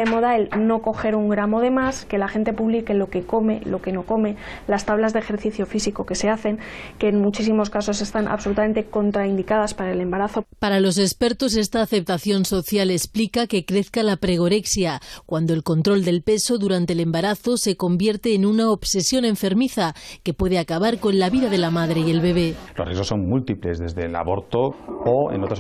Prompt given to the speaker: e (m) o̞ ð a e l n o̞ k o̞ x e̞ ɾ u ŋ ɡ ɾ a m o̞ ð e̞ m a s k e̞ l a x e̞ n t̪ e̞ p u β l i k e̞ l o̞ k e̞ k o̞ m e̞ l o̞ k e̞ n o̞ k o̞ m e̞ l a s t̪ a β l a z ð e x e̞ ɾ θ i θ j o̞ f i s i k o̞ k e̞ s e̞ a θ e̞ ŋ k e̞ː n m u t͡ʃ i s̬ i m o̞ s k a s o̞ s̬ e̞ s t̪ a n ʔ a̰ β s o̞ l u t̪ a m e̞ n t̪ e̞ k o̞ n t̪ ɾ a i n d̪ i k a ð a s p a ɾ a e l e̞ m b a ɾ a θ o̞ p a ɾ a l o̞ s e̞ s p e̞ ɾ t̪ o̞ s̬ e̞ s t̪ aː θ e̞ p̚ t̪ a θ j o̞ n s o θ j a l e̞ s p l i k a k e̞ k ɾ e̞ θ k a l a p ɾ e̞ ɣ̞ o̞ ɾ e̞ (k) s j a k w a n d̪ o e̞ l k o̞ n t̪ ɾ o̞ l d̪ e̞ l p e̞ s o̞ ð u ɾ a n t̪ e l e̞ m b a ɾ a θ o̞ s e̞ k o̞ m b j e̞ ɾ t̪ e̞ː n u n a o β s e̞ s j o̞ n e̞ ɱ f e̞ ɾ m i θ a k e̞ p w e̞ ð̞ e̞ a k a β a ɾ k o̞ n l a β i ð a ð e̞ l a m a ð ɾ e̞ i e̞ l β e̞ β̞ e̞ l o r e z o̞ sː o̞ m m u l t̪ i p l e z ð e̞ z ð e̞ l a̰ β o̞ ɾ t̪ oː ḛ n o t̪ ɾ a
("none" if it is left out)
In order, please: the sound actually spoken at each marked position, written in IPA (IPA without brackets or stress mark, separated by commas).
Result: m, k